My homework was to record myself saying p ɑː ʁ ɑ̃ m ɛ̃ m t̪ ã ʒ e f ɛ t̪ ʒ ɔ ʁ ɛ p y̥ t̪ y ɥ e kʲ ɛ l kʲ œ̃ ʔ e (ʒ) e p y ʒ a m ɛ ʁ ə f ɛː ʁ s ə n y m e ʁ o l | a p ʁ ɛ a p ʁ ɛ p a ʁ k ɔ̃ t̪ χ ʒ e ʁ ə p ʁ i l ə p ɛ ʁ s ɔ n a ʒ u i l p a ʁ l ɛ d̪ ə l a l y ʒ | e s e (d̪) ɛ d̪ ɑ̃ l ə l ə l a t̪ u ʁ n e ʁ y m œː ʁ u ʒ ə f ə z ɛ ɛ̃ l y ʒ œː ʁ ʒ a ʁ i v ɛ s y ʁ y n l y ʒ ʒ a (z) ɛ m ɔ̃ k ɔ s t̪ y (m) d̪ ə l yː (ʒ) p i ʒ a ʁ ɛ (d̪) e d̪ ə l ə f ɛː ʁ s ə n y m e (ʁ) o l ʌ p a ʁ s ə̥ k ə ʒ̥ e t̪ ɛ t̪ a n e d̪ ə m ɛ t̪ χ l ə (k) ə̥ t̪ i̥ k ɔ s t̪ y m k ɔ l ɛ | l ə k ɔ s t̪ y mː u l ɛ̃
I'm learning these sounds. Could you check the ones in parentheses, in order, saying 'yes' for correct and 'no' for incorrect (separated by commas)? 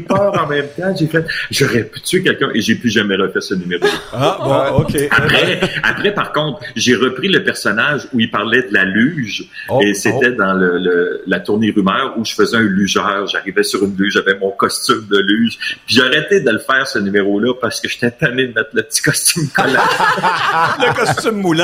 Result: yes, no, no, yes, yes, no, yes, no